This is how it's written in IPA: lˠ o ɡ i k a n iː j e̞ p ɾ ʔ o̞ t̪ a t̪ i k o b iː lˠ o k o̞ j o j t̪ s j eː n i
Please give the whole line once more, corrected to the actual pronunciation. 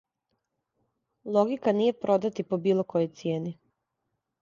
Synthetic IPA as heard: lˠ o ɡ i k a n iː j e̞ p ɾ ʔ o̞ d̪ a t̪ i p o b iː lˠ o k o̞ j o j t̪ s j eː n i